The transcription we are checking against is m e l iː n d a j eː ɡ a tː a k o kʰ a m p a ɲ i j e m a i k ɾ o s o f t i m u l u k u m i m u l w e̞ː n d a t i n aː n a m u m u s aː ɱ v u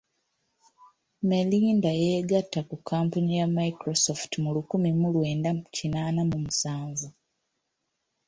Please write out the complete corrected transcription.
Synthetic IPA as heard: m e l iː n d a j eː ɡ a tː a k u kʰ a m p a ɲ i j a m a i k ɾ o s o f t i m u l u k u m i m u l w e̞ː n d a c i n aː n a m u m u s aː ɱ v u